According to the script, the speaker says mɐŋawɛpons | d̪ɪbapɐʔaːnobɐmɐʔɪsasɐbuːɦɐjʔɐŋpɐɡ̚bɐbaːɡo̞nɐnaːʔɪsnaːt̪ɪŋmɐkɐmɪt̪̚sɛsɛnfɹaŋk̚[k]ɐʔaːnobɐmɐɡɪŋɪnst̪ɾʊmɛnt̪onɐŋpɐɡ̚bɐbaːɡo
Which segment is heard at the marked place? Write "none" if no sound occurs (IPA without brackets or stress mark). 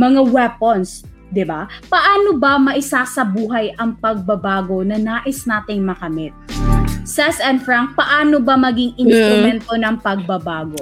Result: p